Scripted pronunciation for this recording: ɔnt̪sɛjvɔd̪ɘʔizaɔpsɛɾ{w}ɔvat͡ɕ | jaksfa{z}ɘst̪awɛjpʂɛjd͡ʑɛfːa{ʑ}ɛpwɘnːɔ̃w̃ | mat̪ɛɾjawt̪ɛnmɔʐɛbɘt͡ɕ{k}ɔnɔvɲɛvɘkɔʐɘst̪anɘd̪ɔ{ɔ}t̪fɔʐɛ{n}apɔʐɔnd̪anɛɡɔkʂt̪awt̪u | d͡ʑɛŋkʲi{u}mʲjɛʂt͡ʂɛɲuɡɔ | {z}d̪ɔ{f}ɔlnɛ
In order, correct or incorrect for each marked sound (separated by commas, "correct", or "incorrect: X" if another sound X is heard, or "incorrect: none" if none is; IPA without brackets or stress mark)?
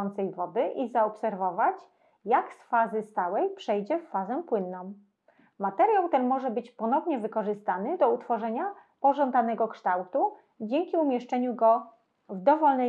incorrect: v, correct, incorrect: z, incorrect: p, incorrect: u, incorrect: ɲ, correct, incorrect: v, incorrect: v